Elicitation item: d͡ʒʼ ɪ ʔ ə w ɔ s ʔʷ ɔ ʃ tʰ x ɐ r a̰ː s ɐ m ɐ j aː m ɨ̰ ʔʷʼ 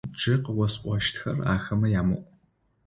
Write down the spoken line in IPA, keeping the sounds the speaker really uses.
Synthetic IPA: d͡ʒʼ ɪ q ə w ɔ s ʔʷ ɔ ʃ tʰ x ɐ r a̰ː x ɐ m ɐ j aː m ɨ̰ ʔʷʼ

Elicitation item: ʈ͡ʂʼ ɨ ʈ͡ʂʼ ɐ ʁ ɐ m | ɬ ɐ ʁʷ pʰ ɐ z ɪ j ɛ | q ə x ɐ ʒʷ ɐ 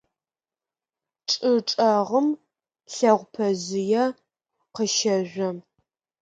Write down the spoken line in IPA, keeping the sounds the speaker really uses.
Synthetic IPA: ʈ͡ʂʼ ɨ ʈ͡ʂʼ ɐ ʁ ə m | ɬ ɐ ʁʷ pʰ ɐ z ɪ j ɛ | q ə ʃ ɐ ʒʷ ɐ

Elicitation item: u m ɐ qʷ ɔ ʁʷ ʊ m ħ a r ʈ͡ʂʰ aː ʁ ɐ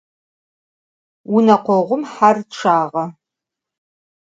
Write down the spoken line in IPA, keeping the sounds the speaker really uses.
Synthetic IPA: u n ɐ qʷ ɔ ʁʷ ʊ m ħ a r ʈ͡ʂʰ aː ʁ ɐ

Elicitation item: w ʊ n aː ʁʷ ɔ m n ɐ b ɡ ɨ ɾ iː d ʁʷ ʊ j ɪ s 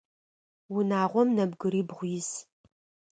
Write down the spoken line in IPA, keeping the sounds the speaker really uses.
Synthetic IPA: w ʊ n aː ʁʷ ɔ m n ɐ b ɡ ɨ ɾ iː b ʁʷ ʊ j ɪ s

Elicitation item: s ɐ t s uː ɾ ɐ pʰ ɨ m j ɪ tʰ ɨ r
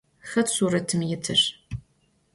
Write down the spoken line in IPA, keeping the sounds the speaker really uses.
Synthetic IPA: x ɐ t s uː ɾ ɐ tʰ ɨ m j ɪ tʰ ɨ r

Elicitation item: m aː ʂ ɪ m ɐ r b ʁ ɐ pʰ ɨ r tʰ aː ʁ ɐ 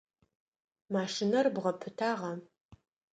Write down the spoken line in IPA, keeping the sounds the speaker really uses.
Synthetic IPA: m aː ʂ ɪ n ɐ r b ʁ ɐ pʰ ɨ tʰ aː ʁ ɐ

